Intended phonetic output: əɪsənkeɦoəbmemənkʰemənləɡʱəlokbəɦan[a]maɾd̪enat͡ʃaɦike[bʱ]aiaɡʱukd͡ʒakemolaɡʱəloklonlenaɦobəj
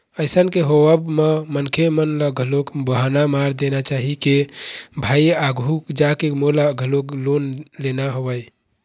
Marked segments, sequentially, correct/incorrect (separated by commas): correct, correct